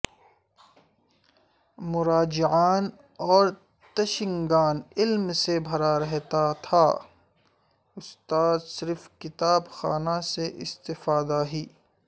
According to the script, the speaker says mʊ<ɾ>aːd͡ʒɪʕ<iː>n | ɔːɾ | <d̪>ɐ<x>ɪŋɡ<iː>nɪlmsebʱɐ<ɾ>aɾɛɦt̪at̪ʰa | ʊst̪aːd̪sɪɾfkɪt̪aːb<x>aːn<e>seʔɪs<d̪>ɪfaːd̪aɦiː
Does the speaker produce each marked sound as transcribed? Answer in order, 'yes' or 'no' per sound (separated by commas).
yes, no, no, no, no, yes, yes, no, no